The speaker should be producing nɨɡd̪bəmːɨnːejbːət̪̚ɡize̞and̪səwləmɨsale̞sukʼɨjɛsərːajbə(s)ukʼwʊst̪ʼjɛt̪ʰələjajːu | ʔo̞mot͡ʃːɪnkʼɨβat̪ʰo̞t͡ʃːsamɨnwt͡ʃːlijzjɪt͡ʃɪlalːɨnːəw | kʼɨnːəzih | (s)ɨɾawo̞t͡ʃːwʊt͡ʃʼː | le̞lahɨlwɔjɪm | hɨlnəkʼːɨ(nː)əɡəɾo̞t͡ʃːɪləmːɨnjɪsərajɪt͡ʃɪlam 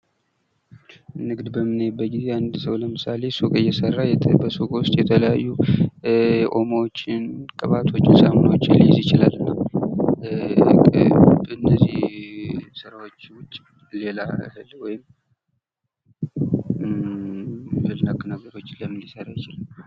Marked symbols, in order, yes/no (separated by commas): yes, yes, no